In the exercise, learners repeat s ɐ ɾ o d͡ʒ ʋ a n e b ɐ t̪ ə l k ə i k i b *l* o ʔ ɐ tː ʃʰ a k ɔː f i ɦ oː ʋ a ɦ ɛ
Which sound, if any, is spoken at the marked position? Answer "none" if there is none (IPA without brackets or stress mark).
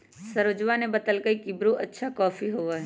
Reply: ɾ